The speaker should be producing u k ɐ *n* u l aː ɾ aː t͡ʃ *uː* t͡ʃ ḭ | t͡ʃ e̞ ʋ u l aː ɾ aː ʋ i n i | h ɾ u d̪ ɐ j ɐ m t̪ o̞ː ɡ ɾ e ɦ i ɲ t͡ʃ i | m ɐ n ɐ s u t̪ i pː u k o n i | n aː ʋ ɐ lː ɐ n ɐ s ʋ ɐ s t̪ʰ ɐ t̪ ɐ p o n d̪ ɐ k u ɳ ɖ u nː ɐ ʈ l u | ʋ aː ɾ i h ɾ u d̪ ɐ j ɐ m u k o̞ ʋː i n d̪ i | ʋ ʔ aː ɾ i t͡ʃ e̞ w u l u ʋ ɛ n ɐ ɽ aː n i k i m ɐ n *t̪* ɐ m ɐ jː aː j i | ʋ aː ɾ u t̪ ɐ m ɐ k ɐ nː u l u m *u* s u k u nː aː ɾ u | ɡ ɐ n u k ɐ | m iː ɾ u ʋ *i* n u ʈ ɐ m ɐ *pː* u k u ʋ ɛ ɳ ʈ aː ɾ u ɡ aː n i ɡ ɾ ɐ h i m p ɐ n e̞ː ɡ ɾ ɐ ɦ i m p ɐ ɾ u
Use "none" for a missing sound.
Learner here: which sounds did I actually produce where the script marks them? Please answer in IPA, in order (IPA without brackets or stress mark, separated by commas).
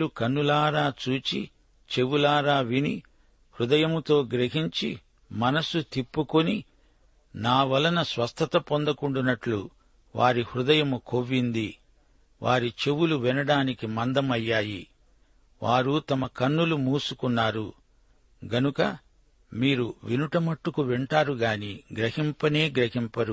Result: nː, uː, d̪, uː, i, ʈː